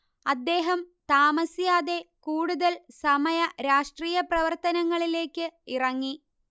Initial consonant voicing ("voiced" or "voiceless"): voiced